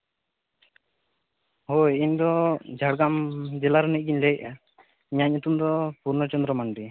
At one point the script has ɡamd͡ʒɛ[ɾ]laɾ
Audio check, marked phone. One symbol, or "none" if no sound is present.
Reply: none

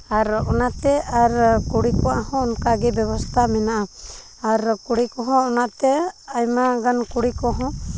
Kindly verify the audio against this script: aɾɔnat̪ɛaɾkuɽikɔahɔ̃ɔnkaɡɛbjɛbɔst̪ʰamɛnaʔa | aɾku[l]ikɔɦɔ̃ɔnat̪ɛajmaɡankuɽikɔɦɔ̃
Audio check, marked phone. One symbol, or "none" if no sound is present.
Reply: ɽ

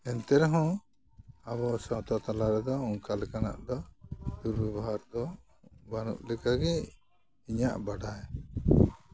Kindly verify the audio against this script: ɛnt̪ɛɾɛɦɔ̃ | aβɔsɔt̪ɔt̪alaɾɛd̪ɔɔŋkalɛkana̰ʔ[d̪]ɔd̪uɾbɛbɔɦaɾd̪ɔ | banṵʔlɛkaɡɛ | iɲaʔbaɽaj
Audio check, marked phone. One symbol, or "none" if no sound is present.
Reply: d̪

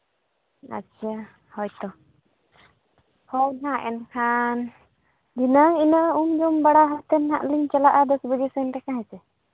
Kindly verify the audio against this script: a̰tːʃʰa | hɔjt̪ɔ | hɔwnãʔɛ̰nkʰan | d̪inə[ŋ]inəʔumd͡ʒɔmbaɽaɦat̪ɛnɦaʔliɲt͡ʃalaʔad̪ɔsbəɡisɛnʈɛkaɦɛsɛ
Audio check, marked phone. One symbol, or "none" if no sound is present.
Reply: ŋ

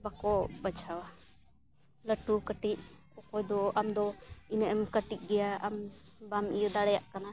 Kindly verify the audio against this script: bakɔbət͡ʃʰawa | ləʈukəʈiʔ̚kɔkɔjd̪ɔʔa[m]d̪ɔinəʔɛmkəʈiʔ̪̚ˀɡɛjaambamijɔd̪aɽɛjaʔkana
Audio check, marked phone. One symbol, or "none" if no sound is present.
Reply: m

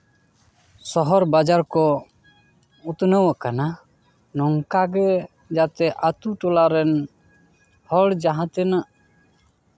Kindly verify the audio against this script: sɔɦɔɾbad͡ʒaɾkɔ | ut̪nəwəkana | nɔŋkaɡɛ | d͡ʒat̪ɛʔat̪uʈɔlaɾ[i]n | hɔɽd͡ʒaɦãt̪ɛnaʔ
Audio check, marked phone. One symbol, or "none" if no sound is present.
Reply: ɛ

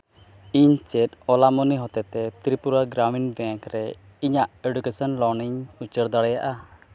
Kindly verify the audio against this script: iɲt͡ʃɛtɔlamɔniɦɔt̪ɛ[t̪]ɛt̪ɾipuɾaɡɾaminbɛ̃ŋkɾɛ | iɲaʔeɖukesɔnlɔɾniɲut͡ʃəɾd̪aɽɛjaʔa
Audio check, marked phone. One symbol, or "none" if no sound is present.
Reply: t̪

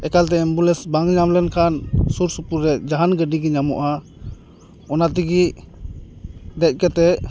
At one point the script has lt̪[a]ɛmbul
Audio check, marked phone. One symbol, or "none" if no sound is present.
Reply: ɛ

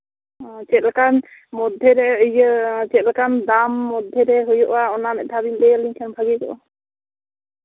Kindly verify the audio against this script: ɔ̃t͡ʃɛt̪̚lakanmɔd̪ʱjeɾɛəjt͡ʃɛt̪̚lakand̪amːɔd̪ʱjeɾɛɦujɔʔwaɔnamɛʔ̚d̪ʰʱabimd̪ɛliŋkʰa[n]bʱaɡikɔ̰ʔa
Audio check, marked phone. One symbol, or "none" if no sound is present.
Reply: n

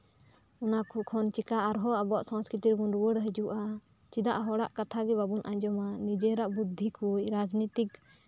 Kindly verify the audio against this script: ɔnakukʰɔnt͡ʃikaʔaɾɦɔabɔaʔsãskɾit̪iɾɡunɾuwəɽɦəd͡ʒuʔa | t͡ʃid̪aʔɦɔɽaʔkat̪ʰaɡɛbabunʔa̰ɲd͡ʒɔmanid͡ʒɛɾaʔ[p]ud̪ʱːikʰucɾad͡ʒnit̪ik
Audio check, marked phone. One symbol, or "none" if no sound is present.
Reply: b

